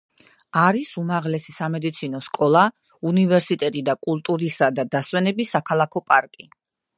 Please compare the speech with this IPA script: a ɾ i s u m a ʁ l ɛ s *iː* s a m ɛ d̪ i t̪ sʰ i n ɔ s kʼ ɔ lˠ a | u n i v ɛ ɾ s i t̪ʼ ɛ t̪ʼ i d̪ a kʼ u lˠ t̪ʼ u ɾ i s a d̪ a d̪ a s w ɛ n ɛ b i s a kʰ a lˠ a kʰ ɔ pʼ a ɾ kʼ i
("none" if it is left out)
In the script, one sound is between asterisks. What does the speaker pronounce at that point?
i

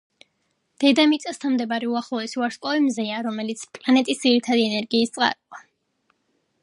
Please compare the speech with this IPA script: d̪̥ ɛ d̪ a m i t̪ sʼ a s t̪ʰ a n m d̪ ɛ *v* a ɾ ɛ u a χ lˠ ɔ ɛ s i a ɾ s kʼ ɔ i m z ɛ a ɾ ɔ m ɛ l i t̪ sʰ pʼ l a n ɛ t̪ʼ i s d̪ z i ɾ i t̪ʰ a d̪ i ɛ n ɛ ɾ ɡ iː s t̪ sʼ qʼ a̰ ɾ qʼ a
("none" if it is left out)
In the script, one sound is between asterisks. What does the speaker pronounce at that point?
b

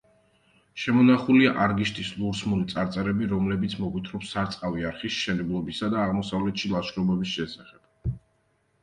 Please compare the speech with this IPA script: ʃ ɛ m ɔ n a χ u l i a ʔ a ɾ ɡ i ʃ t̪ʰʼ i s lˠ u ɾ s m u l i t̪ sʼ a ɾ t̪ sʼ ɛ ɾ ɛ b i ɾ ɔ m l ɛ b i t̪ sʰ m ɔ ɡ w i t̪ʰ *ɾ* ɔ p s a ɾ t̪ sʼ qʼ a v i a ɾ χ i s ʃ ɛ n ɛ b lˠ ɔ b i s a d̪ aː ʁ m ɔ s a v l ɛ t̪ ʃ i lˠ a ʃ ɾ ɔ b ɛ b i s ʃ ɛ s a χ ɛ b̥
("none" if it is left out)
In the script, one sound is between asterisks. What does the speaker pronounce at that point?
ɾ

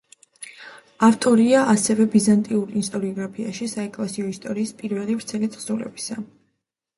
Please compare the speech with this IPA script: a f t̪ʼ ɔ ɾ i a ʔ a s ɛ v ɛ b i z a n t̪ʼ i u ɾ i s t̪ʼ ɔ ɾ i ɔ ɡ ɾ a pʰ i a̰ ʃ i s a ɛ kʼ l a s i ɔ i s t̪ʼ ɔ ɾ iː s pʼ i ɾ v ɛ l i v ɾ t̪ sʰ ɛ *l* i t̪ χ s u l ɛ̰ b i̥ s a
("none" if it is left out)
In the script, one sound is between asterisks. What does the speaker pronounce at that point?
l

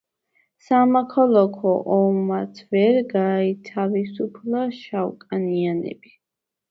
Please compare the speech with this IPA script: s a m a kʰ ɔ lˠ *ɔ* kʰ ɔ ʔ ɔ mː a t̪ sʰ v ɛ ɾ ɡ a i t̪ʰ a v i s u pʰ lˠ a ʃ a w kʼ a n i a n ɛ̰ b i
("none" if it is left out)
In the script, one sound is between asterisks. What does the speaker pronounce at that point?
ɔ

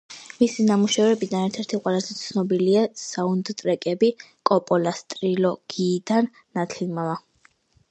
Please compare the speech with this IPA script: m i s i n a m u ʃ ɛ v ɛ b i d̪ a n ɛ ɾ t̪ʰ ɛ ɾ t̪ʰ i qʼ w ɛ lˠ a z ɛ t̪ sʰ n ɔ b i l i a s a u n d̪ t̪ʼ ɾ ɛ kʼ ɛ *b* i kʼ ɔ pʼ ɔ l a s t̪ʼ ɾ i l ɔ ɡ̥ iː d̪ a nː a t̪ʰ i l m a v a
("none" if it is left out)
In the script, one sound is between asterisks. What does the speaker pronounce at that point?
b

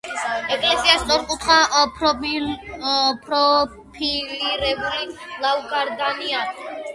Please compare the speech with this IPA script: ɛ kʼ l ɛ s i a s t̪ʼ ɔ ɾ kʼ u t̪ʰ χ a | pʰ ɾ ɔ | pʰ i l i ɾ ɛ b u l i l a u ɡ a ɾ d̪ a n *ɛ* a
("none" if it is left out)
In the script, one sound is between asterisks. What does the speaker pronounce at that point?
i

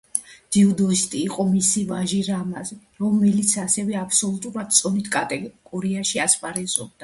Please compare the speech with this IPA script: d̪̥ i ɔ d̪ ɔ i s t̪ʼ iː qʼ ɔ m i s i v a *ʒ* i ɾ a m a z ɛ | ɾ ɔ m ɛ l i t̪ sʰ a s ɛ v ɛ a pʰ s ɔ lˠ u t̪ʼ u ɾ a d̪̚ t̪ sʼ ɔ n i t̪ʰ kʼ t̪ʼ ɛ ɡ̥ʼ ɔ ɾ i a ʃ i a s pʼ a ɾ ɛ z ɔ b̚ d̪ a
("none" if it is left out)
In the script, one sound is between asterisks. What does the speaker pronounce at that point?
ʒ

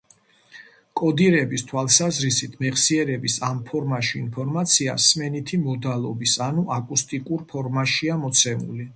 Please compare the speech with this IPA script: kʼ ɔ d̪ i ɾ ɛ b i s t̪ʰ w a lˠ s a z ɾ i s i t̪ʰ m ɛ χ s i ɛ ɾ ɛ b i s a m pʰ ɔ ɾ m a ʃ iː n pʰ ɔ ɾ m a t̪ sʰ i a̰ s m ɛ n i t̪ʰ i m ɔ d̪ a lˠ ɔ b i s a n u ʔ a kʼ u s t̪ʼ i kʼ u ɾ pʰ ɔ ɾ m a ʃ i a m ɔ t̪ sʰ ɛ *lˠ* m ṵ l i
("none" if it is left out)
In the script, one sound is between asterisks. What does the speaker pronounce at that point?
none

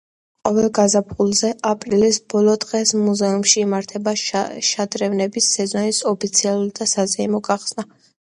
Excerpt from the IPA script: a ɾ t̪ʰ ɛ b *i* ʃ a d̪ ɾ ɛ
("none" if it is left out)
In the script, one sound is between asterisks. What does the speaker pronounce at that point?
a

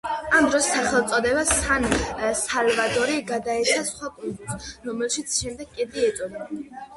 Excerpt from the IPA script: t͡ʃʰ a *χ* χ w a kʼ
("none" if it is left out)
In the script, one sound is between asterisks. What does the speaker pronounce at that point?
s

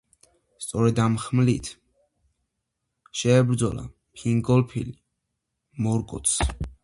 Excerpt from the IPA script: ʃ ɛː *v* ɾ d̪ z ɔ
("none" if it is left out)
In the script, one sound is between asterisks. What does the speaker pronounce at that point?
b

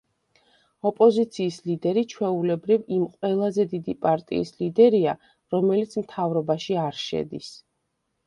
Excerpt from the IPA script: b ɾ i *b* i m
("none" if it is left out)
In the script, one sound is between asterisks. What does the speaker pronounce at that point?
v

